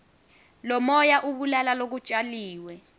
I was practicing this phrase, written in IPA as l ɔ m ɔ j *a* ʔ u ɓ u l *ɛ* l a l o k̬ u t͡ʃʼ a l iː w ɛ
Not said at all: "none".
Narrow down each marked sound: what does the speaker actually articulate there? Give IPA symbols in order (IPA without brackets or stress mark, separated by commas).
a, a